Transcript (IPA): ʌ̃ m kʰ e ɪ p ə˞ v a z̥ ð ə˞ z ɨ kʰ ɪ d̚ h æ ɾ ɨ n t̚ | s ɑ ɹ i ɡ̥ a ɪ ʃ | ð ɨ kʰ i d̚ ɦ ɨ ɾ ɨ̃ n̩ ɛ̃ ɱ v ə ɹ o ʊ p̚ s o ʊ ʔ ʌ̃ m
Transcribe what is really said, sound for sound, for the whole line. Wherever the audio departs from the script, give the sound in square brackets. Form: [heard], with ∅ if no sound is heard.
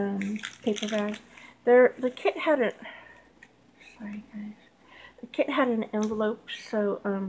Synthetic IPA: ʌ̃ m [pʰ] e ɪ p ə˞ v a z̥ ð ə˞ [ð] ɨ kʰ ɪ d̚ h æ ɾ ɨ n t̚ | s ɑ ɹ i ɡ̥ a ɪ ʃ | ð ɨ kʰ [ɪ] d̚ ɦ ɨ ɾ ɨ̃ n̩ ɛ̃ ɱ v ə [l] o ʊ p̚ s o ʊ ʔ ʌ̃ m